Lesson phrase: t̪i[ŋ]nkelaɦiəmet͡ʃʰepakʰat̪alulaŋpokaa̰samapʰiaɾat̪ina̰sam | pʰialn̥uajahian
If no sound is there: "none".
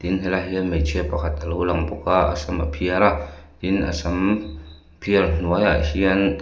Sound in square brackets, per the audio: none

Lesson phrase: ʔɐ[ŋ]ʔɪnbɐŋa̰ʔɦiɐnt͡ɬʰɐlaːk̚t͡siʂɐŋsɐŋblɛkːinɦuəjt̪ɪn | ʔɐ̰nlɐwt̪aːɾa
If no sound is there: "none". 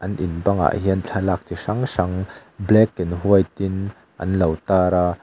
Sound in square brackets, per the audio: n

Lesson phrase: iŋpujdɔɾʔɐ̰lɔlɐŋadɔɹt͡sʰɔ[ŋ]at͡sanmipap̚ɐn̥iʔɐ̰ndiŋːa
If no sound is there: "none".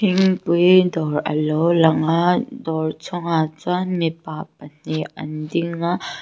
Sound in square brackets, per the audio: ŋ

